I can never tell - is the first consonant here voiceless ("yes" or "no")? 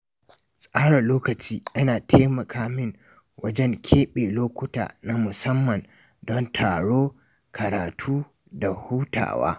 yes